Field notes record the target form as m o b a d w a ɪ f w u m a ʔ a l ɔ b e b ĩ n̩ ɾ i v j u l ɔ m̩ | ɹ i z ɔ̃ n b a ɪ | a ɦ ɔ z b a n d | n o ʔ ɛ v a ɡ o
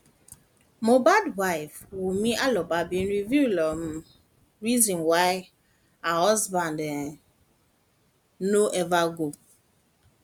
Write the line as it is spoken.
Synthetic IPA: m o b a d w a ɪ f w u m i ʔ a l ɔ b a b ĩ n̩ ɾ i v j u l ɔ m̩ | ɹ i z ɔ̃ n w a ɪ | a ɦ ɔ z b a n d | n o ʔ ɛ v a ɡ o